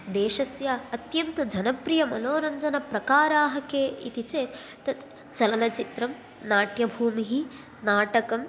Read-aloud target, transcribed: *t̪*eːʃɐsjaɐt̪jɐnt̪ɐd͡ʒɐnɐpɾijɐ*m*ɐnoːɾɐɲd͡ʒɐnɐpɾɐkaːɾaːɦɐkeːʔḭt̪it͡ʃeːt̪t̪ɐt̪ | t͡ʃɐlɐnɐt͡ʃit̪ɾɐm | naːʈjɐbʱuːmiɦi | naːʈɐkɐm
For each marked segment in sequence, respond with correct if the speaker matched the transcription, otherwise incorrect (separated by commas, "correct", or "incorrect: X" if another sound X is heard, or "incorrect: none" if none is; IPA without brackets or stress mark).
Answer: incorrect: d̪, correct